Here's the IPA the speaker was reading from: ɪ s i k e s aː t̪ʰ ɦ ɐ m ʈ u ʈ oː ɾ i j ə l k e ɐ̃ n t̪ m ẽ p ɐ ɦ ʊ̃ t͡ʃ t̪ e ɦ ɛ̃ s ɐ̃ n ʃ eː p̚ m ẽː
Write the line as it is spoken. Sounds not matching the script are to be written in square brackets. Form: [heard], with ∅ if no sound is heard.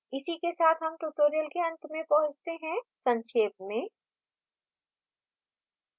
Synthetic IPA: ɪ s i k e s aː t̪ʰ ɦ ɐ m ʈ u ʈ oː ɾ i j ə l k e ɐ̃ n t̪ m ẽ p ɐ ɦ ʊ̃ t͡ʃ t̪ e ɦ ɛ̃ s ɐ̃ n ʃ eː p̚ m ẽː